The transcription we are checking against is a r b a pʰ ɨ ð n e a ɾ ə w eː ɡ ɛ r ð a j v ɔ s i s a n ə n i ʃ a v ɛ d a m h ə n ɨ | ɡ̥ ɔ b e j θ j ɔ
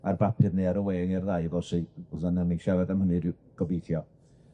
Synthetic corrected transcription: a r b a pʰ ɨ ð n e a ɾ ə w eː ŋ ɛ r ð a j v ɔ s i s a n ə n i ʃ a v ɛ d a m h ə n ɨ | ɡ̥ ɔ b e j θ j ɔ